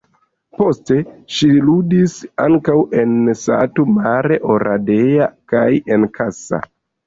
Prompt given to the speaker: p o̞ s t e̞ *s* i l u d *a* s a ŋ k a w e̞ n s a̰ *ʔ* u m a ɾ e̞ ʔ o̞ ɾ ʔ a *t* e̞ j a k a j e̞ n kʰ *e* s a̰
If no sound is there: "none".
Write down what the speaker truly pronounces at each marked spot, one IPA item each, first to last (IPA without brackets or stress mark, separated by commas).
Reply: ʃ, i, t, d, a